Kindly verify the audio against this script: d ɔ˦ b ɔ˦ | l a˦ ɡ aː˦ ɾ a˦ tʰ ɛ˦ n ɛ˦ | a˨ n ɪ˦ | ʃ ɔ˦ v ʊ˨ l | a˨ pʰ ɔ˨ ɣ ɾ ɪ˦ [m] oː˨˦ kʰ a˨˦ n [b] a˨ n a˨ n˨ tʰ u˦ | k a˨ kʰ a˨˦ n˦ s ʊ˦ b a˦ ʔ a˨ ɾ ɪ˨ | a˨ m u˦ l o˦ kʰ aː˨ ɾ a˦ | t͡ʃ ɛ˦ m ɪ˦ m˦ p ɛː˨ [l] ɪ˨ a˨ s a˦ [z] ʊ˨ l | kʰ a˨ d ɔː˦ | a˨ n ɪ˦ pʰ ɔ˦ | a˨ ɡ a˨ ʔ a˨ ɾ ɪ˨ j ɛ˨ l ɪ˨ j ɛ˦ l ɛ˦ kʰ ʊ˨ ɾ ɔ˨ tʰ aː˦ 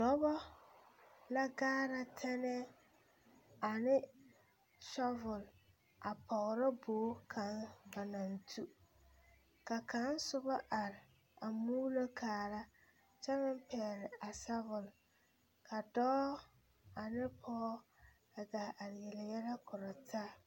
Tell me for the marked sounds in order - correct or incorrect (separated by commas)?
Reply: incorrect, correct, incorrect, incorrect